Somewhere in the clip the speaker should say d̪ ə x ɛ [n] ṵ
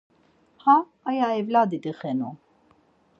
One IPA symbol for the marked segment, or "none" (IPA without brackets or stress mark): n